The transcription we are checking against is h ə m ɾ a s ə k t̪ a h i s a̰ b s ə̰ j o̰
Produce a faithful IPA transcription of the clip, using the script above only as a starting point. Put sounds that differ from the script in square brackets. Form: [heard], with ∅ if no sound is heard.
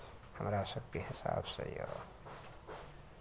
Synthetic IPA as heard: h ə m ɾ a s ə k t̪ [i] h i s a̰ b s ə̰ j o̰